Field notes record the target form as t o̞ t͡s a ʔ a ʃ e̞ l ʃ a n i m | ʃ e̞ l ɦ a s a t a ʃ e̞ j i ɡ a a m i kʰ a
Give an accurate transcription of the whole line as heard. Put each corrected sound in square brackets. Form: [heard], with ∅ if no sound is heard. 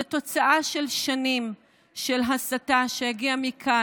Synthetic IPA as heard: t o̞ t͡s a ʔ a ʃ e̞ l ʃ a n i m | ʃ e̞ l ɦ a s a t a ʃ e̞ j [a] ɡ [i] a m i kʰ a

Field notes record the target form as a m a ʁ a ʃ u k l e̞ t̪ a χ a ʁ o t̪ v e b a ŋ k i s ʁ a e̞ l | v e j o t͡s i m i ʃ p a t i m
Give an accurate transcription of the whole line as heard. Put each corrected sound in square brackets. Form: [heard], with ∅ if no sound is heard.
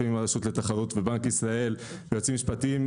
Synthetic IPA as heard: [i] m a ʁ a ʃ u [t] l e̞ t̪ a χ a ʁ [u] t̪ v e b a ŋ k i s ʁ a e̞ l | v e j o t͡s i m i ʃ p a t i m

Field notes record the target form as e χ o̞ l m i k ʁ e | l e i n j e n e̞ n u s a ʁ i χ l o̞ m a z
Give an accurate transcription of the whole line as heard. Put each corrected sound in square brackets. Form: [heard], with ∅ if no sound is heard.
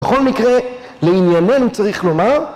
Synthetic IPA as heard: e χ o̞ l m i k ʁ e | l e i n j [a] n e̞ n u [t͡s] a ʁ i χ l o̞ m a [ʁ]

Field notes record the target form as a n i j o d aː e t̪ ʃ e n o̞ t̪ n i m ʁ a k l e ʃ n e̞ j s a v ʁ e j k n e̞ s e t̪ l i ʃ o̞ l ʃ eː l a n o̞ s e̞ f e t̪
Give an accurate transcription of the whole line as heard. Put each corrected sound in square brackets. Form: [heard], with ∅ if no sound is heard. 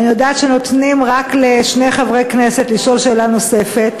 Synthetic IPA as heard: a n i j o d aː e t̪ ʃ e n o̞ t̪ n i m ʁ a k l e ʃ n e̞ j [χ] a v ʁ e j k n e̞ s e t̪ l i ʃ o̞ l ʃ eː l a n o̞ s e̞ f e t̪

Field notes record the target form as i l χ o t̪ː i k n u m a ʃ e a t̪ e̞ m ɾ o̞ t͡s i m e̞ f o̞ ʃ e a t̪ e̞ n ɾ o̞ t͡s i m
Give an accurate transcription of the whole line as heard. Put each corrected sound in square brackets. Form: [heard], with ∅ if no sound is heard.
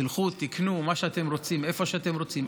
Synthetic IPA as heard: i l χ [u] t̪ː i k n u m a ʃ e a t̪ e̞ m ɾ o̞ t͡s i m e̞ f o̞ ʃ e a t̪ e̞ [m] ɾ o̞ t͡s i m

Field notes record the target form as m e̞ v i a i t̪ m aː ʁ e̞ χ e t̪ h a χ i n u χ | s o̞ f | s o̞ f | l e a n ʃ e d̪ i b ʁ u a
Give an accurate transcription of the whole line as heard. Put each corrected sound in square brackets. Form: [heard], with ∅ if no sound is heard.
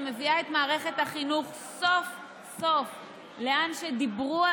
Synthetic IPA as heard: m e̞ v i a [e] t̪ m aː ʁ e̞ χ e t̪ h a χ i n u χ | s o̞ f | s o̞ f | l e a n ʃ e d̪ i b ʁ u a

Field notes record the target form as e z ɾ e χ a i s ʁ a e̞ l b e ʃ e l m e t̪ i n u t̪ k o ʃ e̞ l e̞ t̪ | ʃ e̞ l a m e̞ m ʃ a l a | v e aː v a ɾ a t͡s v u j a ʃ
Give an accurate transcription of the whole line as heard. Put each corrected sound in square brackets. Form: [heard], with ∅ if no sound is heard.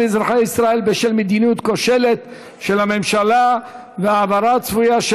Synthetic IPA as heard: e z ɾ [a] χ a i s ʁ a e̞ l b e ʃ e l m e [d̪] i n u t̪ k o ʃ e̞ l e̞ t̪ | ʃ e̞ l a m e̞ m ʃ a l a | v e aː v a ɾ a t͡s v u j a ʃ

